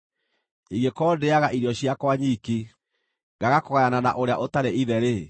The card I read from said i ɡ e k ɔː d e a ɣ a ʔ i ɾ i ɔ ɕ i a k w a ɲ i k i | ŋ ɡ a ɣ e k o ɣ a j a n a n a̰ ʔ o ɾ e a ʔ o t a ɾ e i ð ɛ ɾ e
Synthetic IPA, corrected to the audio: i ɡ e k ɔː d e a ɣ a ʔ i ɾ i ɔ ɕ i a k w a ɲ i k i | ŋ ɡ a ɣ a k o ɣ a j a n a n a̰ ʔ o ɾ e a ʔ o t a ɾ e i ð ɛ ɾ e